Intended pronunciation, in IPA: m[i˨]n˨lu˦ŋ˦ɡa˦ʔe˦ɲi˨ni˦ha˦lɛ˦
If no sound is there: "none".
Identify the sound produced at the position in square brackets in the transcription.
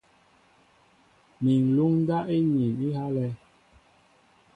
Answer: i˨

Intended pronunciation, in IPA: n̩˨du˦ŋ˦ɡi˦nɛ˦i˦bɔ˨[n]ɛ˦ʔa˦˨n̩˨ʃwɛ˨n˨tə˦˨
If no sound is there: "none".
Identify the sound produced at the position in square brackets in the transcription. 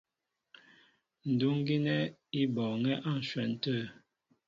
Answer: ŋ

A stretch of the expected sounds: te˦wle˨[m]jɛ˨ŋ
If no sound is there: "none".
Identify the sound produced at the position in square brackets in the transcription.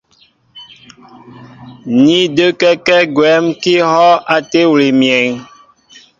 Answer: m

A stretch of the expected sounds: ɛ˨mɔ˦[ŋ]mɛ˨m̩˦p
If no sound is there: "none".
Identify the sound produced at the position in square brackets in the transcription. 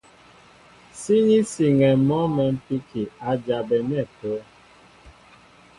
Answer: none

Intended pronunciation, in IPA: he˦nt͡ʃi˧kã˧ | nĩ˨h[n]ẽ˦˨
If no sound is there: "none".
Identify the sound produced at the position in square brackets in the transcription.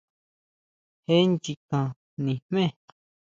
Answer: m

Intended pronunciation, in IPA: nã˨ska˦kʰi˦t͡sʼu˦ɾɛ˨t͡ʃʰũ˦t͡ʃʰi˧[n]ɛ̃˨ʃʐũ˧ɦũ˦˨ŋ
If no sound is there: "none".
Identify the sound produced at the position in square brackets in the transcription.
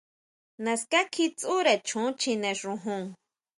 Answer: n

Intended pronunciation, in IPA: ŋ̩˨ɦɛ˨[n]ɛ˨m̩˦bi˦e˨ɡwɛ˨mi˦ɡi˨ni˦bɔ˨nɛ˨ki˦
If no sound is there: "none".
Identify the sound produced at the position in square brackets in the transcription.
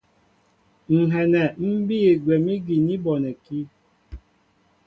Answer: n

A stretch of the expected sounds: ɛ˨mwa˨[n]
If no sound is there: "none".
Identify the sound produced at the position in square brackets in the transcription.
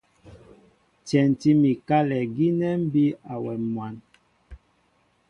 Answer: n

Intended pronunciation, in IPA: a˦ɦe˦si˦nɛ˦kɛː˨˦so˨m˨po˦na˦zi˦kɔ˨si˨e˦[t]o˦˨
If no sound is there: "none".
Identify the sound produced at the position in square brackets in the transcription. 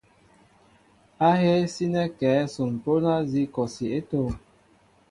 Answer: t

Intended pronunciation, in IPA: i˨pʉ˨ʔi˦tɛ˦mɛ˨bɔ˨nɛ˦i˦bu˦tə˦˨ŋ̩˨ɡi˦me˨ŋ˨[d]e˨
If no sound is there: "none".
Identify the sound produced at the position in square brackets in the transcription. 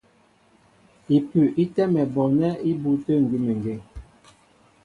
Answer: ɡ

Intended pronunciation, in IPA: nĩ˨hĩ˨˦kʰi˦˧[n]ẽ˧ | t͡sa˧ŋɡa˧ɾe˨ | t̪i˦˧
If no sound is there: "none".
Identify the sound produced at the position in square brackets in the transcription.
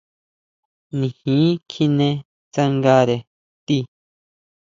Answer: n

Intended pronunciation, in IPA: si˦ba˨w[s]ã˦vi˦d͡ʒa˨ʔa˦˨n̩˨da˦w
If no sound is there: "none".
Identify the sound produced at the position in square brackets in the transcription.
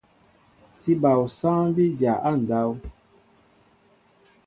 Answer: s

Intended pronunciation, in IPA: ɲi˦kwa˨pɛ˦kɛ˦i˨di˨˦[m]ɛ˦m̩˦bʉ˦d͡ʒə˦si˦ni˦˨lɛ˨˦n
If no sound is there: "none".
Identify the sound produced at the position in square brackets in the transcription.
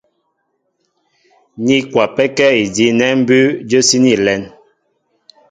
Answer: n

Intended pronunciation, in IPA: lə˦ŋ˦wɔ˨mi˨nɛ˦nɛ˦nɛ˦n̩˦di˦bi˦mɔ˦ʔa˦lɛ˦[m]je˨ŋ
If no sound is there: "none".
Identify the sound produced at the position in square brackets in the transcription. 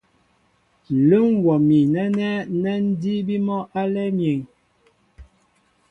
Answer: m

